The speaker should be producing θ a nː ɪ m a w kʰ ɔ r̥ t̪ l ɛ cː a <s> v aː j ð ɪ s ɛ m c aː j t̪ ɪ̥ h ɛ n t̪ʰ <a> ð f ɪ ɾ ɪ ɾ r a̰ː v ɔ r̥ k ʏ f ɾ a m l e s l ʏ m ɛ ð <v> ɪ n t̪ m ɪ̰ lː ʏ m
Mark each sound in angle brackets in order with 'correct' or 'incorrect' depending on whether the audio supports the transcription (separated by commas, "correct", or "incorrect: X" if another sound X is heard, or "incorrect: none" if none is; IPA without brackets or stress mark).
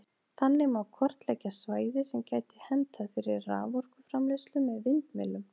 correct, correct, correct